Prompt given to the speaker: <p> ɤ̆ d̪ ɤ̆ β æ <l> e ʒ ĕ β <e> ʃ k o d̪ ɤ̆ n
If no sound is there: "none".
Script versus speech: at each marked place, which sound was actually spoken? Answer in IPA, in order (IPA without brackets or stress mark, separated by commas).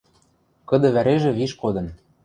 k, ɾ, i